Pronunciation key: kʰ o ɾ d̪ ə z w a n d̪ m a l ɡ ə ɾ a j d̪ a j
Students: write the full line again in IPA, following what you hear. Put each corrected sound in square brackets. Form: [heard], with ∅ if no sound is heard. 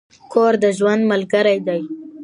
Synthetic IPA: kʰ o ɾ d̪ ə [ʒ] w a n d̪ m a l ɡ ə ɾ a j d̪ a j